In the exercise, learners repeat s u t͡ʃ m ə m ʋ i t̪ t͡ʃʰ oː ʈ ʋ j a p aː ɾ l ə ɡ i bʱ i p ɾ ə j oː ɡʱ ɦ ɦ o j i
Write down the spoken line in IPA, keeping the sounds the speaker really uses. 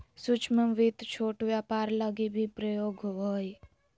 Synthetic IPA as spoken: s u t͡ʃ m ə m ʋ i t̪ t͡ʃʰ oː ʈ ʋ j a p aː ɾ l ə ɡ i bʱ i p ɾ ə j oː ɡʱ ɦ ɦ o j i